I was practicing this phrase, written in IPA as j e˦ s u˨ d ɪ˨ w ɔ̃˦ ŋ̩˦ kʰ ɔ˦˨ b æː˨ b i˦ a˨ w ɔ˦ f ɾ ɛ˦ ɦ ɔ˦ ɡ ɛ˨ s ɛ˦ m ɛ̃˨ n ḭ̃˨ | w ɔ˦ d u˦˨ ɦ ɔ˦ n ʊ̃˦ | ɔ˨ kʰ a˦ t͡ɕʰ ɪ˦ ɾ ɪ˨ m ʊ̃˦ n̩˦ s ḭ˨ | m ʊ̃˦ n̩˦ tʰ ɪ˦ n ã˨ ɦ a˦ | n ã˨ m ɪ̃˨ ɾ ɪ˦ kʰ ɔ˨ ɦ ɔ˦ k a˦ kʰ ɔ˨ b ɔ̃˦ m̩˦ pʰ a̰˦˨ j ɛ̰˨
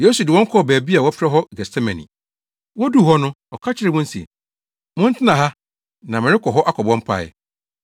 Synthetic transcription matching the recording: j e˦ s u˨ d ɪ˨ w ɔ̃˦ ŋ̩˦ kʰ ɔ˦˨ b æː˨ b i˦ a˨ w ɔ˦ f ɾ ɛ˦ ɦ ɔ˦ ɡ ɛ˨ s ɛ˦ m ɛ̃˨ n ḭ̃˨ | w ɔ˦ d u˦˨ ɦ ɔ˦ n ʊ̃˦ | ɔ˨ kʰ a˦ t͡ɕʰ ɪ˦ ɾ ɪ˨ m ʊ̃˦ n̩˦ s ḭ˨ | m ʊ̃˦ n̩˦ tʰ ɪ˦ n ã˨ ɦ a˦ | n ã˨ m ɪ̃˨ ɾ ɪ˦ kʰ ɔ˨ ɦ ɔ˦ ʔ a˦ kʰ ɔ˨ b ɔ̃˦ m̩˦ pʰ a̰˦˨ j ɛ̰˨